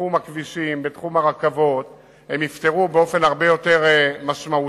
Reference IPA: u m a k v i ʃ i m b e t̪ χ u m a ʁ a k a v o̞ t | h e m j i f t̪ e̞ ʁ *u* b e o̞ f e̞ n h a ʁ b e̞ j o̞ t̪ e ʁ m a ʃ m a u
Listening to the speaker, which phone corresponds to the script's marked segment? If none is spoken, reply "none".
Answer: u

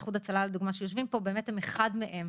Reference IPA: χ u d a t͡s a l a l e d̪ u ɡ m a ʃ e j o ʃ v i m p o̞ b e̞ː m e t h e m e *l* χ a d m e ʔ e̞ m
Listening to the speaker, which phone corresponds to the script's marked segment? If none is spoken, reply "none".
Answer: none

